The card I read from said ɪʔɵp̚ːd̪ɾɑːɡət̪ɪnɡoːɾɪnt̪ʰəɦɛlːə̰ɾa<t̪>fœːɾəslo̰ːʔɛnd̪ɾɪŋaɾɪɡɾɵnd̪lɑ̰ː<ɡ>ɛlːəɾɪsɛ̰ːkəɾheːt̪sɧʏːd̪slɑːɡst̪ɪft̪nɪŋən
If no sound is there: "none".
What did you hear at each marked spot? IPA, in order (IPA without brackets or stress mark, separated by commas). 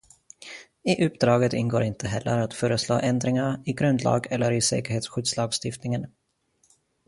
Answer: t̪, ɡ